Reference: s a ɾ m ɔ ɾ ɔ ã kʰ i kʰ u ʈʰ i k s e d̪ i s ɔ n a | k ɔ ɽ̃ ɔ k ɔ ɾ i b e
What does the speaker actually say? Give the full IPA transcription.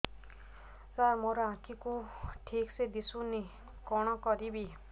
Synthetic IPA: s a ɾ m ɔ ɾ ɔ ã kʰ i k u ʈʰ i k s e d̪ i s u n i | k ɔ ɽ̃ ɔ k ɔ ɾ i b i